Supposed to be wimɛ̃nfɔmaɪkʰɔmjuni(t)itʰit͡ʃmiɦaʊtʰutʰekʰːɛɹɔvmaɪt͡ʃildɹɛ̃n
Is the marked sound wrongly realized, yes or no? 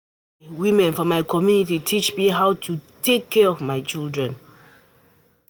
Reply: no